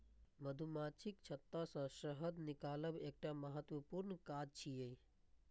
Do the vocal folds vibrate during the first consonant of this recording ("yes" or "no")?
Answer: yes